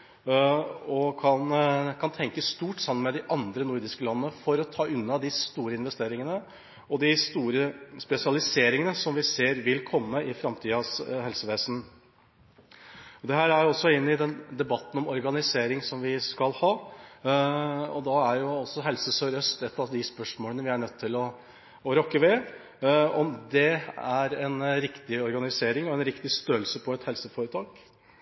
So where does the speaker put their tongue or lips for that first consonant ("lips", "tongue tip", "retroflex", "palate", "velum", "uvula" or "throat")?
velum